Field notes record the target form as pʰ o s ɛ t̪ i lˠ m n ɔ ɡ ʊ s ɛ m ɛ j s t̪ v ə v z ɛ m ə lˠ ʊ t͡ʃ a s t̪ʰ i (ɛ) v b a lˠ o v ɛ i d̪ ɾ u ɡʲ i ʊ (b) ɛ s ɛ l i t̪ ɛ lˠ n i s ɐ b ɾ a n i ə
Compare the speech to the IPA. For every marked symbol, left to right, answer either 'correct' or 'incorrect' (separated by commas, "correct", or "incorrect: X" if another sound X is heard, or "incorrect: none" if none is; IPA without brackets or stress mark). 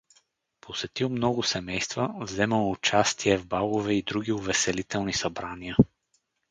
correct, incorrect: v